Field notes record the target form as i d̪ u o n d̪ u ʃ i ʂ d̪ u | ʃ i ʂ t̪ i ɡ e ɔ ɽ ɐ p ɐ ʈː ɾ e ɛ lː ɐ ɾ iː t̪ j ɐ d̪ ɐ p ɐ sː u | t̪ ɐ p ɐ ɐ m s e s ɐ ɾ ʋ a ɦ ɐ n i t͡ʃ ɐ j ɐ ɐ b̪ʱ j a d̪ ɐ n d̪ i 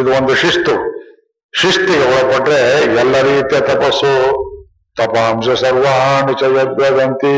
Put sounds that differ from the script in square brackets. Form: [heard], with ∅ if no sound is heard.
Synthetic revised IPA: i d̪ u o n d̪ u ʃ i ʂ [t̪] u | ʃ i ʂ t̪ i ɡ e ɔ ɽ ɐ p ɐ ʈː ɾ e ɛ lː ɐ ɾ iː t̪ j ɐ [t̪] ɐ p ɐ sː u | t̪ ɐ p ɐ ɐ m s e s ɐ ɾ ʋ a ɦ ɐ n i t͡ʃ ɐ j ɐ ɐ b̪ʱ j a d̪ ɐ n [t̪] i